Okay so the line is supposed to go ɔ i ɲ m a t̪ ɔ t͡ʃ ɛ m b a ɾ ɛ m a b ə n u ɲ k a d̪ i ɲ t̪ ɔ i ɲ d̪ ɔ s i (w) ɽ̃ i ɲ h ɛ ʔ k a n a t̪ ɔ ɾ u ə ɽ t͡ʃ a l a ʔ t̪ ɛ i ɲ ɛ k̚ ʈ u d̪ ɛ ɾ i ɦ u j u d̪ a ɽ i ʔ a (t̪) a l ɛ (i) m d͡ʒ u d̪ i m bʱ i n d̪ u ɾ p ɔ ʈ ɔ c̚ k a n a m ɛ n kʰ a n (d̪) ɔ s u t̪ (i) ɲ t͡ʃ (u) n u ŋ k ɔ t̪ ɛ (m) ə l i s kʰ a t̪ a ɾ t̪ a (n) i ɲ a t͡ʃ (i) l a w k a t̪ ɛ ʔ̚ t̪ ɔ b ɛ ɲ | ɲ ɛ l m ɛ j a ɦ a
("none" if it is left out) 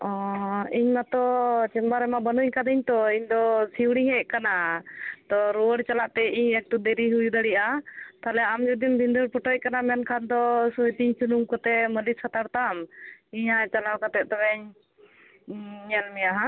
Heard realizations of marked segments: w, t̪, a, d̪, i, u, m, m, a

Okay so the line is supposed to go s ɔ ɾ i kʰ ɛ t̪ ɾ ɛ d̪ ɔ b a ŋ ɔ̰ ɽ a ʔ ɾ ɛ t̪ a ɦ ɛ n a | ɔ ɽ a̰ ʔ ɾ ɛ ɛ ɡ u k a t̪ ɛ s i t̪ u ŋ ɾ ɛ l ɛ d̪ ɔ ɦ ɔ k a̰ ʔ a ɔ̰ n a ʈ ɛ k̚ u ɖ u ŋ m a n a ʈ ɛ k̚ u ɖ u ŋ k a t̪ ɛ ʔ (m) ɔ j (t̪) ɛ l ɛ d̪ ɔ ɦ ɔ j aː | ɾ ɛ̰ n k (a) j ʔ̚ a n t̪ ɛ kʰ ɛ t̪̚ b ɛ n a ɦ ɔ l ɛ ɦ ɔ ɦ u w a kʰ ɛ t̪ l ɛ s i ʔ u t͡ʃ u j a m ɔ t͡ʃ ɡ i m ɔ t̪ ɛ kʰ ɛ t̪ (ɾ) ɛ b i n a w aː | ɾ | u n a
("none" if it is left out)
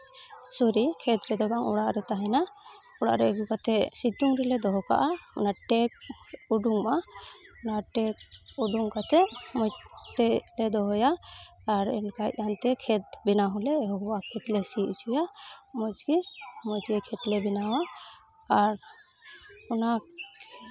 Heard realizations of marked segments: m, t̪, a, l

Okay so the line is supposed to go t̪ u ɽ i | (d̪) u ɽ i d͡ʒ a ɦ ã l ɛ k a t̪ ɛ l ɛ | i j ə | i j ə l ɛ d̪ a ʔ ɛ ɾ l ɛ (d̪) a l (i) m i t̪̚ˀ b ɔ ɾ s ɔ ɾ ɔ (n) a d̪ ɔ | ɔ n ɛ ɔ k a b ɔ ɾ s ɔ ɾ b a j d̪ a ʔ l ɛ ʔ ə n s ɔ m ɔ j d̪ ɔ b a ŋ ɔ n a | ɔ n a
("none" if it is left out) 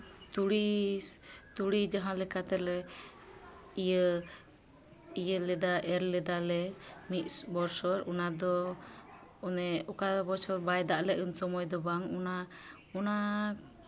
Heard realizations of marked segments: t̪, d̪, ɛ, n

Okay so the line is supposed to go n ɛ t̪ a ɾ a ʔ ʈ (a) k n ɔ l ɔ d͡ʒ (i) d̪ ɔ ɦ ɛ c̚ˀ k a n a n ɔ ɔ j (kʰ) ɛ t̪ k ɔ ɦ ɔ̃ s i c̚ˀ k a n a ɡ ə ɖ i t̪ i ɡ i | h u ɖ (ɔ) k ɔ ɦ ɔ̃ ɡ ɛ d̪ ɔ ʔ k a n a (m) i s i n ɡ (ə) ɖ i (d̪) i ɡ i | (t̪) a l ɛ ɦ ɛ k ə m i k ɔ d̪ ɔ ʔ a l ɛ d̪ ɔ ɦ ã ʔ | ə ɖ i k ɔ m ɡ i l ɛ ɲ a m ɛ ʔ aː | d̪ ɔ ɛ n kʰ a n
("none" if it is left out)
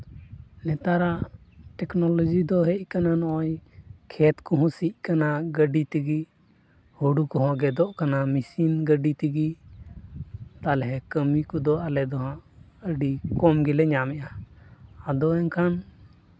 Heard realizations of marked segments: ɛ, i, kʰ, u, m, ə, t̪, t̪

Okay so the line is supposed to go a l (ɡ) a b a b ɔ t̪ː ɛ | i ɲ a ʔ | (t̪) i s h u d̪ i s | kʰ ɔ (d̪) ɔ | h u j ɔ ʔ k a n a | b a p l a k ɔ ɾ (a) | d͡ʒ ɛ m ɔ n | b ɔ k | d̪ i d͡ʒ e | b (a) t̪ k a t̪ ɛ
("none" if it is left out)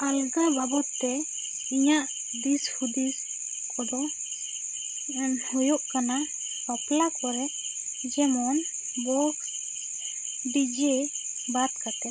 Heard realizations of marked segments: ɡ, d̪, d̪, ɛ, a

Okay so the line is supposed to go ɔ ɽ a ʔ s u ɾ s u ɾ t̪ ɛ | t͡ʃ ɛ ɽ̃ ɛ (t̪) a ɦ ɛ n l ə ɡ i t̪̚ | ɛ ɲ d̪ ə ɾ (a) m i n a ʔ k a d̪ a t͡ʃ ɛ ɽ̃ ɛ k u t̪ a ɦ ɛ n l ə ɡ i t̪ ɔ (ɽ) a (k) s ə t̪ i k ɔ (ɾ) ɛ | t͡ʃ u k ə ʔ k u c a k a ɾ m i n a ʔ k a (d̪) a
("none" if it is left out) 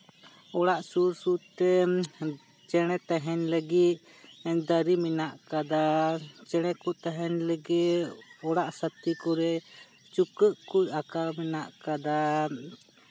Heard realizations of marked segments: t̪, i, ɽ, ʔ, ɾ, d̪

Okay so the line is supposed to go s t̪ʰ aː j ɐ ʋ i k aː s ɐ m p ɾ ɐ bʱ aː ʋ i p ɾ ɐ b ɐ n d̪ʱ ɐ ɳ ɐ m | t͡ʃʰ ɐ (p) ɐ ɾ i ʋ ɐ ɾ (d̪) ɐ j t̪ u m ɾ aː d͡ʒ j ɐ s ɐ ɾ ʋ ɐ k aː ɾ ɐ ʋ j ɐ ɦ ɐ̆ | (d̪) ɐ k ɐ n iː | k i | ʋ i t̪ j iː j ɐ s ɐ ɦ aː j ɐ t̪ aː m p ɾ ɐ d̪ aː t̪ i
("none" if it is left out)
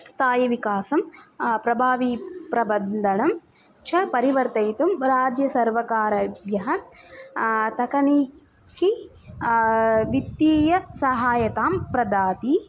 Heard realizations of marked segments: p, t̪, t̪

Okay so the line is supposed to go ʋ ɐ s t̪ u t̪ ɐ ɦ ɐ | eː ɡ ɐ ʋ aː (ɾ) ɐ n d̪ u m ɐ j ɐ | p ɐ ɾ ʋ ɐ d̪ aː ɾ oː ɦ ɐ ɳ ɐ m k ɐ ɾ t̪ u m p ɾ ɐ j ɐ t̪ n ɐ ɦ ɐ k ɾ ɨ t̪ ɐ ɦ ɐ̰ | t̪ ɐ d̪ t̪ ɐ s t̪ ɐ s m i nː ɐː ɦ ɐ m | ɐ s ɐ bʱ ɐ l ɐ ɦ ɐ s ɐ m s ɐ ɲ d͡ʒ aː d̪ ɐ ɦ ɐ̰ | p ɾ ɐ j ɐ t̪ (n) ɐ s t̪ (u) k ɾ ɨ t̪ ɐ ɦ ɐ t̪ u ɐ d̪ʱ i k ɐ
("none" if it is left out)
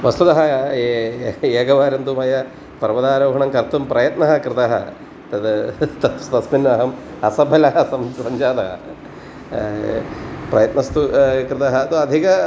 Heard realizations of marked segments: ɾ, n, u

